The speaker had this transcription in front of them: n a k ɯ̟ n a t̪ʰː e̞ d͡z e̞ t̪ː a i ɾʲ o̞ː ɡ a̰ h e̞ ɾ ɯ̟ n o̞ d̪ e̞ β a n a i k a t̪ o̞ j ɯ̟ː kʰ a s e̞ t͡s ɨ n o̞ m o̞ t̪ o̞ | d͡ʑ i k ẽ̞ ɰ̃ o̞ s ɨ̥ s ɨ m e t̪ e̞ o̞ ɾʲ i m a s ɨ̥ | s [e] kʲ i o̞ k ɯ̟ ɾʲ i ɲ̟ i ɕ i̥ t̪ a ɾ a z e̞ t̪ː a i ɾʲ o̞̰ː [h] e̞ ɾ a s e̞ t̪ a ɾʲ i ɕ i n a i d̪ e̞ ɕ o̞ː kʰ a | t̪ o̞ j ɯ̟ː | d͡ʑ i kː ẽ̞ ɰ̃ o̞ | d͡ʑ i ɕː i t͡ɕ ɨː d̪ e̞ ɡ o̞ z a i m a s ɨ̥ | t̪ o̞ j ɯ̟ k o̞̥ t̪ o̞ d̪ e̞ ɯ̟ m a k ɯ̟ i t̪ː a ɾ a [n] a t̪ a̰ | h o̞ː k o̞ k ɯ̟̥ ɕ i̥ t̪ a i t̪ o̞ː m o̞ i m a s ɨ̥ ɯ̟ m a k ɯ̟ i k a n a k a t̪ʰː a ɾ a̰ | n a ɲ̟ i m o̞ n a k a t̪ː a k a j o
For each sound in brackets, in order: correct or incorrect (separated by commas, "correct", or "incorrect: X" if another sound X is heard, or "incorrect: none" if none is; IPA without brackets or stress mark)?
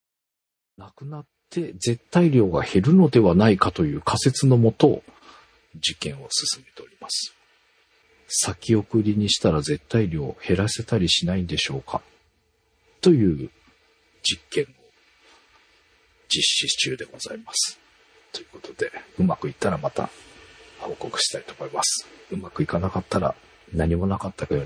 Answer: incorrect: a, correct, incorrect: m